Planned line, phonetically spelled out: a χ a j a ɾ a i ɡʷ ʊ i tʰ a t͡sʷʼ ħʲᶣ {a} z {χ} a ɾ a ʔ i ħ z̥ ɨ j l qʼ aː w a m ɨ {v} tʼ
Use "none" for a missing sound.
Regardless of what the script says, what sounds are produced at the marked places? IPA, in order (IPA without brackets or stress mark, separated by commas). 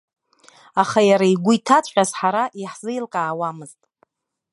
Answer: a, ħ, z